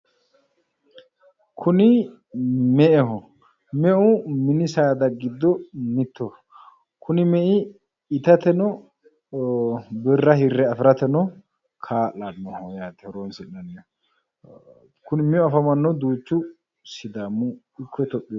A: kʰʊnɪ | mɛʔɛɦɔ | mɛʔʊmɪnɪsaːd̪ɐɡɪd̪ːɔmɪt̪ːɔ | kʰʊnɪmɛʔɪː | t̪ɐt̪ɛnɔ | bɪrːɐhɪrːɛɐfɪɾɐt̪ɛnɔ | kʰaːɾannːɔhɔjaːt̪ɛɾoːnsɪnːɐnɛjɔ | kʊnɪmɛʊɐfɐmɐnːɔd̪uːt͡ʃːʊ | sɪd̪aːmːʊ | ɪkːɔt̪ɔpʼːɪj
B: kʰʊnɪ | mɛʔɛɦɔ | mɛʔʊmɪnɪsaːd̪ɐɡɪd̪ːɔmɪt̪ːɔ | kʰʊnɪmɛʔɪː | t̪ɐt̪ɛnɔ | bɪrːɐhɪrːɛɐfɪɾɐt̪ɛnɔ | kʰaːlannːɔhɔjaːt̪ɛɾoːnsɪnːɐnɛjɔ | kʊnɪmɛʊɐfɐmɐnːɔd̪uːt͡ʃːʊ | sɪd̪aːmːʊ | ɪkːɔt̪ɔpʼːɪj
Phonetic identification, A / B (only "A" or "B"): B